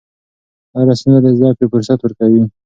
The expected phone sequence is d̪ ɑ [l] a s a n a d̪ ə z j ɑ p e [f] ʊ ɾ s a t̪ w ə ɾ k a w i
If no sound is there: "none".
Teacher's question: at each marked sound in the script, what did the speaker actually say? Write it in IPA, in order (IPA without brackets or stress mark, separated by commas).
ɾ, f